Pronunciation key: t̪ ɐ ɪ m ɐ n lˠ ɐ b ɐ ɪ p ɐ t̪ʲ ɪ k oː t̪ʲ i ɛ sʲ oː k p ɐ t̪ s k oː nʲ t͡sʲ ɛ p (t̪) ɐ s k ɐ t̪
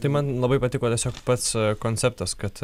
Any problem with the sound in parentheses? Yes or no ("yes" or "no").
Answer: no